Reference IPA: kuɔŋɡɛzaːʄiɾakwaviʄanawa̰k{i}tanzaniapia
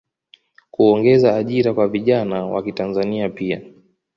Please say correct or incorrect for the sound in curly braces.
correct